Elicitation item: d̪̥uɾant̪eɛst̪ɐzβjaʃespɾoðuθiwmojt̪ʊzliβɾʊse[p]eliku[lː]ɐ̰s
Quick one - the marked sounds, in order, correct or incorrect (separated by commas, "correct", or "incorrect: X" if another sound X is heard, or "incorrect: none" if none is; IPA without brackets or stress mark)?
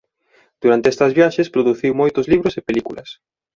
correct, incorrect: l